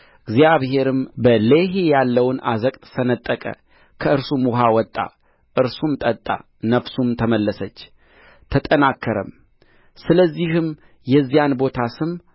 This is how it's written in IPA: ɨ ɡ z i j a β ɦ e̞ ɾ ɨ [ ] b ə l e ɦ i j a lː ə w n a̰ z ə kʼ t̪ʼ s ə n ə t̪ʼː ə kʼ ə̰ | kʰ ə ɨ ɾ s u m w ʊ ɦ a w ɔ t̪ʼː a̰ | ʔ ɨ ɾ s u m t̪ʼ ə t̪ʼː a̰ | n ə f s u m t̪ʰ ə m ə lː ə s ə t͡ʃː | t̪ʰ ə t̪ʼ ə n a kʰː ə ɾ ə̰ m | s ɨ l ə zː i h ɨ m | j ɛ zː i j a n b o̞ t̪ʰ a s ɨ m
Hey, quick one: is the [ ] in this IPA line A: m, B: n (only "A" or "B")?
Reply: A